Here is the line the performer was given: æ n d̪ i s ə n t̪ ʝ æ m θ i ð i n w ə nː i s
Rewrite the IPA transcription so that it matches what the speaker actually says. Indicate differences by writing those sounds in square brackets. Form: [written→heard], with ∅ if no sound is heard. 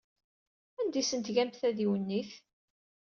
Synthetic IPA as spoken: æ n d̪ i s ə n t̪ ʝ æ m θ [i→æ] ð i [n→∅] w ə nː i [s→θ]